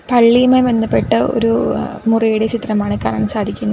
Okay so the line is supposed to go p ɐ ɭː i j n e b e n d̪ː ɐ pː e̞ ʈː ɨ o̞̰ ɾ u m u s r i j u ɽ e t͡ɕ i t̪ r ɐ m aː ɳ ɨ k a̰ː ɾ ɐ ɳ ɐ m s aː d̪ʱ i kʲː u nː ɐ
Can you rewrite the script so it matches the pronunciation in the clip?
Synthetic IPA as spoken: p ɐ ɭː i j m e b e n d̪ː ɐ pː e̞ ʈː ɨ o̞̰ ɾ u m u r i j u ɽ e t͡ɕ i t̪ r ɐ m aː ɳ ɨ k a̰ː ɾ ɐ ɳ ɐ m s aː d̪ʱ i kʲː u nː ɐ